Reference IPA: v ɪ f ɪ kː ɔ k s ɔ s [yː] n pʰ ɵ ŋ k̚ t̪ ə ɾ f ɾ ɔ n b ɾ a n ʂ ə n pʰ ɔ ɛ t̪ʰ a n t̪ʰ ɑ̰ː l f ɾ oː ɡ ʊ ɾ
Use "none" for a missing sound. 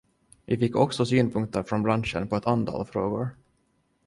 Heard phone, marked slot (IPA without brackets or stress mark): yː